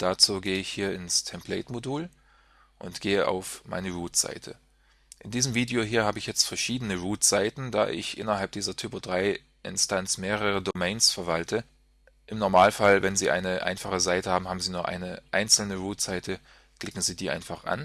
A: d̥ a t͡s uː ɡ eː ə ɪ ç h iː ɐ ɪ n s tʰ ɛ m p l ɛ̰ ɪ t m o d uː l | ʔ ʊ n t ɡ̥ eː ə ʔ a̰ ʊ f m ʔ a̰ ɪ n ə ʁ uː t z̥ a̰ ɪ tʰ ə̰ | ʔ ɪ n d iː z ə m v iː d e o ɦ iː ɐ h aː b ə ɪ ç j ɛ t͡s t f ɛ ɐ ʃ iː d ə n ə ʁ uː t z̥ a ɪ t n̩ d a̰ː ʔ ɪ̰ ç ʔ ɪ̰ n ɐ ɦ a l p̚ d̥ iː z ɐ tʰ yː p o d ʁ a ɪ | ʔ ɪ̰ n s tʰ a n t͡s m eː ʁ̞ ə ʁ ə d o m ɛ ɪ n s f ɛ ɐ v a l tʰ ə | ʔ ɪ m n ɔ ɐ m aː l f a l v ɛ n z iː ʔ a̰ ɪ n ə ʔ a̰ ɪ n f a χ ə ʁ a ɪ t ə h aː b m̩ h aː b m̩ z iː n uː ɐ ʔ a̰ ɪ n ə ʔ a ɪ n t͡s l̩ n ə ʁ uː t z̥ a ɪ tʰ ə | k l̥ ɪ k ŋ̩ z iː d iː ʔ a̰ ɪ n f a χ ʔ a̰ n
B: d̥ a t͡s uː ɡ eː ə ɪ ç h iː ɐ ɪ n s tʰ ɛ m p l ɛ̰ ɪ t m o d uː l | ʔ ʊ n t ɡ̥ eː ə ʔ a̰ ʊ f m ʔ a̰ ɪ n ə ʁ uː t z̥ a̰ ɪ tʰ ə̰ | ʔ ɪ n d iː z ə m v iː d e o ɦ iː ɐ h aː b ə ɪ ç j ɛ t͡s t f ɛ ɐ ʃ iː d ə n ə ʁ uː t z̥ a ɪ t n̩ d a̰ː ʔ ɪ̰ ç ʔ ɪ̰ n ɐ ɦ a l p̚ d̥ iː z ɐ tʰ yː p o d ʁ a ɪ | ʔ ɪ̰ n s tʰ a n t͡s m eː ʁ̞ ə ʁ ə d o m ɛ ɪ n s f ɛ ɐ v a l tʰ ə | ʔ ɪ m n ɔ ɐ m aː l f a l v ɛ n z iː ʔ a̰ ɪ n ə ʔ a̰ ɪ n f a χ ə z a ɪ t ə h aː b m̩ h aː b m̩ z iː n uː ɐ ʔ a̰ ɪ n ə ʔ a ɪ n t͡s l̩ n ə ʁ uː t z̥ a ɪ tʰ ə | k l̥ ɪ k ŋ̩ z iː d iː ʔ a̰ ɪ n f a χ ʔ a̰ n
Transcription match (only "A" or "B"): B